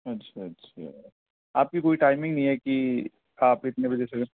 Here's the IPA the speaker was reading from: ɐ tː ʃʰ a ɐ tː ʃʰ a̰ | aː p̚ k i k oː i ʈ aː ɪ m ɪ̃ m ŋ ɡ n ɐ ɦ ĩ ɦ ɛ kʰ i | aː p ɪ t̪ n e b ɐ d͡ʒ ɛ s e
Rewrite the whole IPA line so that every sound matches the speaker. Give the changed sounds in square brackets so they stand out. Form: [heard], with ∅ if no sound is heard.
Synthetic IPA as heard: ɐ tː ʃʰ a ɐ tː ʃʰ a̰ | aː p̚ k i k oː i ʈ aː ɪ m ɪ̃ [∅] ŋ ɡ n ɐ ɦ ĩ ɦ ɛ [k] i | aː p ɪ t̪ n e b ɐ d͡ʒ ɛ s e

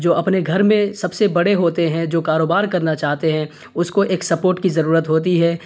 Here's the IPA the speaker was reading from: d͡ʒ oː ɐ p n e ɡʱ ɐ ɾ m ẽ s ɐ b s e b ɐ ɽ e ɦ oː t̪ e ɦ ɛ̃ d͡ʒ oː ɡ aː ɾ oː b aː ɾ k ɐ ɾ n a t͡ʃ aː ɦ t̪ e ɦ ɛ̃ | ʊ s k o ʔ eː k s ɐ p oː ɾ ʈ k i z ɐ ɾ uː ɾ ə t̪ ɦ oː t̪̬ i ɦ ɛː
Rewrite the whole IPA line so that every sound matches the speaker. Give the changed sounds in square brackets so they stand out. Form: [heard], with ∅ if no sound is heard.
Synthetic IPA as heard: d͡ʒ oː ɐ p n e ɡʱ ɐ ɾ m ẽ s ɐ b s e b ɐ ɽ e ɦ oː t̪ e ɦ ɛ̃ d͡ʒ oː [k] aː ɾ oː b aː ɾ k ɐ ɾ n a t͡ʃ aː ɦ t̪ e ɦ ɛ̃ | ʊ s k o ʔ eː k s ɐ p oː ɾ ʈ k i z ɐ ɾ uː ɾ ə t̪ ɦ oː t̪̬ i ɦ ɛː

